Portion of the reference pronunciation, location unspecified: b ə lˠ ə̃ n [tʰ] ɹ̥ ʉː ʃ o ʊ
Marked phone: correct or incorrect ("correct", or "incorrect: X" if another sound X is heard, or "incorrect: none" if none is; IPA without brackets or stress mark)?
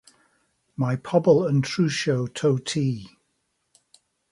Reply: correct